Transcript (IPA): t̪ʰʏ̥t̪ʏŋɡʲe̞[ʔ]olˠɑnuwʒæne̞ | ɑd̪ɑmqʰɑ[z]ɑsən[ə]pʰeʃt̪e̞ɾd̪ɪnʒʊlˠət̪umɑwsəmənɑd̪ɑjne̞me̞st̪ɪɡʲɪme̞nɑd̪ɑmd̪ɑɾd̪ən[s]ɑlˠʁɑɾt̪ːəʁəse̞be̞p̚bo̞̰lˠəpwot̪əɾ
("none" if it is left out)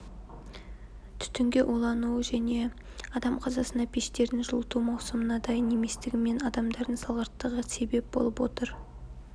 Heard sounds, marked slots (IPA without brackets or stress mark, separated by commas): ʔ, z, ɑ, s